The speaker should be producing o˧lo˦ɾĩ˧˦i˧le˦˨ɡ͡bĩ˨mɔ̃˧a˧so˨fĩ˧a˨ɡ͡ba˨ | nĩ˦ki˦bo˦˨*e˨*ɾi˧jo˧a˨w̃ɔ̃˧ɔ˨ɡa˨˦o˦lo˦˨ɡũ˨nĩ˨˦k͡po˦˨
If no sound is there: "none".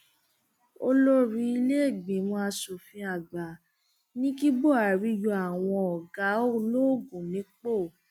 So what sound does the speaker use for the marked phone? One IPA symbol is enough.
a˨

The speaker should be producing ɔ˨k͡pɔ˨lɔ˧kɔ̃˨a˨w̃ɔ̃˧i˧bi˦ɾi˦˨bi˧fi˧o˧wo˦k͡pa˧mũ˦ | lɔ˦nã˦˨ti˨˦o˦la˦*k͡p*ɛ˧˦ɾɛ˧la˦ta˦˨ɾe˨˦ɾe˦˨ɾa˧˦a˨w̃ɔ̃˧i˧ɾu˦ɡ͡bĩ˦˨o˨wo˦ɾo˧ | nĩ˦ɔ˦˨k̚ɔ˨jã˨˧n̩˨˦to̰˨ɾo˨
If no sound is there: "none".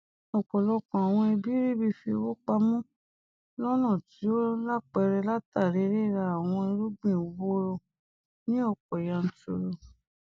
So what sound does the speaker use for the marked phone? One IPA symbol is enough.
k͡p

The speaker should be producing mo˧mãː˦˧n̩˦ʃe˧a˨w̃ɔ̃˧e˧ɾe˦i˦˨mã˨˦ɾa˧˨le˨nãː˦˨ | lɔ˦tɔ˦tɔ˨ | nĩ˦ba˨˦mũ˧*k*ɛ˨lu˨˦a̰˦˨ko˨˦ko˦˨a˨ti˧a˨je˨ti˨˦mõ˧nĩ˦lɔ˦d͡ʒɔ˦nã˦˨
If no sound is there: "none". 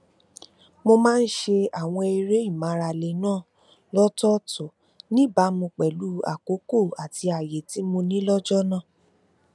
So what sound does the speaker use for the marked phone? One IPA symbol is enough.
k͡p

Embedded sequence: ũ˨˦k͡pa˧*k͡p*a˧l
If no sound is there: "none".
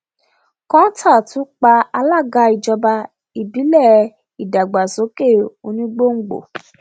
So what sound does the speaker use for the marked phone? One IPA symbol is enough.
none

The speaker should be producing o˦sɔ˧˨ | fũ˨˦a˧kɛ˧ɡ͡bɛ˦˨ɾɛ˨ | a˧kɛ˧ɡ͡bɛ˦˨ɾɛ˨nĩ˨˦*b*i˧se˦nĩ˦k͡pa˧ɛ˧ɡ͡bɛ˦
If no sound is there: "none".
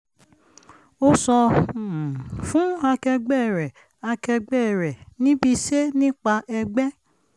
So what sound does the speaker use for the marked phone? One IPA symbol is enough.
b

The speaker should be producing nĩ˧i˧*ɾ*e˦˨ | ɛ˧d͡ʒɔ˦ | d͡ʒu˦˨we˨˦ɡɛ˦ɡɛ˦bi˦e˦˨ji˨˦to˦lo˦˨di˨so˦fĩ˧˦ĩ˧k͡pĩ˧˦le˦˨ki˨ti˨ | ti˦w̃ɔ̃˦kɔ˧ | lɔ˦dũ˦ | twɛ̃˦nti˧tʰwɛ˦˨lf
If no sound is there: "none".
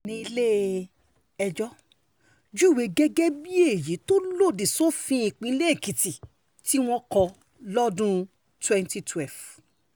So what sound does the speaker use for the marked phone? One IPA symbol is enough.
l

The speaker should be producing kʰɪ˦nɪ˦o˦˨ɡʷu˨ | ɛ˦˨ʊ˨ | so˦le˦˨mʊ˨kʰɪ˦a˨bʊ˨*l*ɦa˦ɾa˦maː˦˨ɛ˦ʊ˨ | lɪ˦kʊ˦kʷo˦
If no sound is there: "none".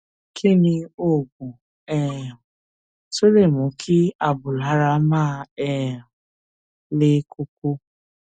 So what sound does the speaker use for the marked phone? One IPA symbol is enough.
l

